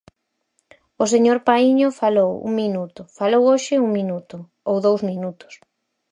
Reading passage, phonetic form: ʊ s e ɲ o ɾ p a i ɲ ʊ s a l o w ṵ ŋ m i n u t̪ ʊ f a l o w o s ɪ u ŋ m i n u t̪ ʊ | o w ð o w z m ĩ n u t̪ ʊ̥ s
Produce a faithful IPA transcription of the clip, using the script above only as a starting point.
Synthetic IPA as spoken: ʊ s e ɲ o ɾ p a i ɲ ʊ f a l o w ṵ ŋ m i n u t̪ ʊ f a l o w o ʃ ɪ u ŋ m i n u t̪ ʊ | o w ð o w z m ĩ n u t̪ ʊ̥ s